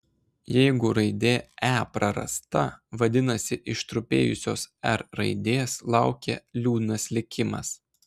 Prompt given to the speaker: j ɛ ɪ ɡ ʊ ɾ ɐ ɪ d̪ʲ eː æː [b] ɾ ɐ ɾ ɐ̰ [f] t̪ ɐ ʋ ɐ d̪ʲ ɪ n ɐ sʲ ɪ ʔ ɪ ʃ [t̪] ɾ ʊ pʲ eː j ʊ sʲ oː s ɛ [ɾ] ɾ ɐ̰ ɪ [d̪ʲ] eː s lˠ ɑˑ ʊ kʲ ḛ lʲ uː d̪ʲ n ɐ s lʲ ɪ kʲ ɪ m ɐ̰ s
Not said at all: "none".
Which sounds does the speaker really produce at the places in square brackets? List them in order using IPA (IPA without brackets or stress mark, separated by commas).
p, s, t̪, ɾ, d̪ʲ